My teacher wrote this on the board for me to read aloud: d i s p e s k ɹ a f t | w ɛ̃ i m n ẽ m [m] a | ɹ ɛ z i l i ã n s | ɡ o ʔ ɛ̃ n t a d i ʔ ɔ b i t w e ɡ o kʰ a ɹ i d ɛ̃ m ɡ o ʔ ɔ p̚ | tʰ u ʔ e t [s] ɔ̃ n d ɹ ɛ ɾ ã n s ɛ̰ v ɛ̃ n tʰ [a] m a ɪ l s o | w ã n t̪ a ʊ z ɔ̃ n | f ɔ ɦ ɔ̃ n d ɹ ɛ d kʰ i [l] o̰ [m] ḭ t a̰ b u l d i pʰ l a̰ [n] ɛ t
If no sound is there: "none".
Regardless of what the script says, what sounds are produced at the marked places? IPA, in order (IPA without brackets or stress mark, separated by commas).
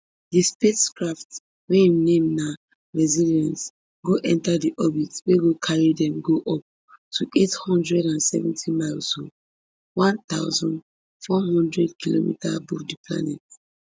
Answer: n, h, i, l, m, n